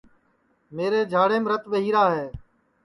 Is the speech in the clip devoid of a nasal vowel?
yes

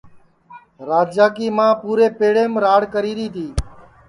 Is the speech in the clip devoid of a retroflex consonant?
no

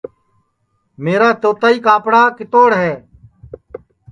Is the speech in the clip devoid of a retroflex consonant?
no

